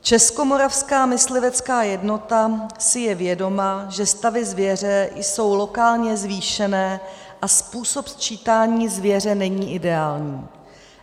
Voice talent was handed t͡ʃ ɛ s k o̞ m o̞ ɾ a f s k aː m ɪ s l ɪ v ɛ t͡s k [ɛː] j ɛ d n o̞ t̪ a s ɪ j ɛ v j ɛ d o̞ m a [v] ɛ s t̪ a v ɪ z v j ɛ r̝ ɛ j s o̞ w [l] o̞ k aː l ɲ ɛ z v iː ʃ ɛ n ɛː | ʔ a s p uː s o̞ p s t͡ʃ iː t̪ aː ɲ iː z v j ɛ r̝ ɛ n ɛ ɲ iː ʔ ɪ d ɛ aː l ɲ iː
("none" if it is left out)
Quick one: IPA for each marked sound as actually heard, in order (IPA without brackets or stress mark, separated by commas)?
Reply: aː, ʒ, l